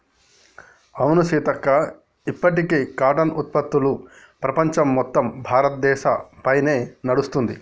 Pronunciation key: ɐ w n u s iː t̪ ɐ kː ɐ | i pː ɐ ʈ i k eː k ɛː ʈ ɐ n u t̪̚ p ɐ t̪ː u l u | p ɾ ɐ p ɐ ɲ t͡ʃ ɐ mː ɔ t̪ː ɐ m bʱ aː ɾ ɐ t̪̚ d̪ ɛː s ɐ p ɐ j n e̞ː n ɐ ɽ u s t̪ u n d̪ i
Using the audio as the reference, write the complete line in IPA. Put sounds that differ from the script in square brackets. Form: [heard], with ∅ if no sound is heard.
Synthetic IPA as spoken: ɐ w n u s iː t̪ ɐ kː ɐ | i pː ɐ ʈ i k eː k [aː] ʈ ɐ n u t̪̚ p ɐ t̪ː u l u | p ɾ ɐ p ɐ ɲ t͡ʃ ɐ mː ɔ t̪ː ɐ m bʱ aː ɾ ɐ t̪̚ d̪ ɛː [ʃ] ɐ p ɐ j n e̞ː n ɐ ɽ u s t̪ u n d̪ i